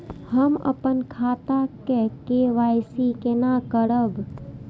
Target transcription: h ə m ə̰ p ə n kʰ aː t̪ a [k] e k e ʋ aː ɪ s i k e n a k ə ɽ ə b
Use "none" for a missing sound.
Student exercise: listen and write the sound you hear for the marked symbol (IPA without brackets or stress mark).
k